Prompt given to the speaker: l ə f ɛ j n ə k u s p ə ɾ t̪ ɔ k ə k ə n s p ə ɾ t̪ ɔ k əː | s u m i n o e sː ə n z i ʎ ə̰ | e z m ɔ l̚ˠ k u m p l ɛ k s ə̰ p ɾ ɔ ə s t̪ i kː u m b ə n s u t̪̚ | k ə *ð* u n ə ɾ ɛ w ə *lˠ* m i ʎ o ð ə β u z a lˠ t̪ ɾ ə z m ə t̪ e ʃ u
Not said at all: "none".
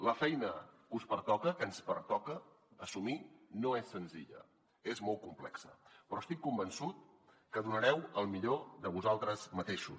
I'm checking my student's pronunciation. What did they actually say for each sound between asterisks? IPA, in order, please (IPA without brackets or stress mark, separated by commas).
ð, lˠ